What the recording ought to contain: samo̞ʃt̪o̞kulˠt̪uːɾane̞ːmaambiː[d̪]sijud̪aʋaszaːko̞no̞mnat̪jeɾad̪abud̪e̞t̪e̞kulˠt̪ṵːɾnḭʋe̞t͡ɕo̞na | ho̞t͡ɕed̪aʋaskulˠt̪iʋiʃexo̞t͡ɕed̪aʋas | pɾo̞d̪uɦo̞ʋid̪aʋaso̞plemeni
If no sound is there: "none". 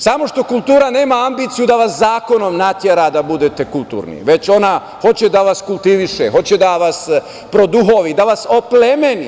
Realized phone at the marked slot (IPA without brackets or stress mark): t̪